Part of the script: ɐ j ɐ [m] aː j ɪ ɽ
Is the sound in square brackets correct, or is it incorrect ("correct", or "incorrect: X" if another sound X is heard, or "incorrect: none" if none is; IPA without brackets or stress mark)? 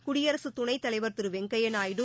incorrect: n